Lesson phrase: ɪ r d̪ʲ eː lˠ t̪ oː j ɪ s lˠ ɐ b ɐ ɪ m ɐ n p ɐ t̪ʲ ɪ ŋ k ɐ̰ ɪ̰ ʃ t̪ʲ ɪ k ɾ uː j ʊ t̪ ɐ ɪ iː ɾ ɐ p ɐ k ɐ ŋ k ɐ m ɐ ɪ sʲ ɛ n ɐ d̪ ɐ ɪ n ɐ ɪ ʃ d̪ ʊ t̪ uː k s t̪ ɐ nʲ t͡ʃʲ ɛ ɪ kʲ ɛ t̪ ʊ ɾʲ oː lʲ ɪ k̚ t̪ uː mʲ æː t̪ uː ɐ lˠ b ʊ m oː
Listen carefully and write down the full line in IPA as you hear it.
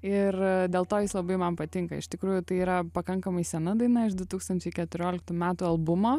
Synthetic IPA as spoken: ɪ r d̪ʲ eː lˠ t̪ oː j ɪ s lˠ ɐ b ɐ ɪ m ɐ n p ɐ t̪ʲ ɪ ŋ k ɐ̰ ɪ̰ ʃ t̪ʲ ɪ k ɾ uː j ʊ t̪ ɐ ɪ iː ɾ ɐ p ɐ k ɐ ŋ k ɐ m ɐ ɪ sʲ ɛ n ɐ d̪ ɐ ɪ n ɐ ɪ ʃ d̪ ʊ t̪ uː k s t̪ ɐ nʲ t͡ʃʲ ɛ ɪ kʲ ɛ t̪ ʊ ɾʲ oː lʲ ɪ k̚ t̪ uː mʲ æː t̪ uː ɐ lˠ b ʊ m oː